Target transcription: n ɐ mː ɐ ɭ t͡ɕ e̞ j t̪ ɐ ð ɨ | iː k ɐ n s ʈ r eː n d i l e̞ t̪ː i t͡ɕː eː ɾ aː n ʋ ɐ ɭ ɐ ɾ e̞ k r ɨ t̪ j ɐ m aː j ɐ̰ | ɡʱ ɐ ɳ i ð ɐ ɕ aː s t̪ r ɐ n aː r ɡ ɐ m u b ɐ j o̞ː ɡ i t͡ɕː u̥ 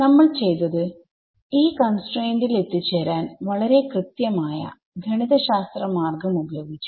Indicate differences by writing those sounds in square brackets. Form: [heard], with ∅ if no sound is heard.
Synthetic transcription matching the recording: n ɐ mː ɐ ɭ t͡ɕ e̞ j t̪ ɐ ð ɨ | iː k ɐ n s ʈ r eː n d i l e̞ t̪ː i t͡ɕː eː ɾ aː n ʋ ɐ ɭ ɐ ɾ e̞ k r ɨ t̪ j ɐ m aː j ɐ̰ | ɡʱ ɐ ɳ i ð ɐ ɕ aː s t̪ r ɐ [m] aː r ɡ ɐ m u b ɐ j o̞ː ɡ i t͡ɕː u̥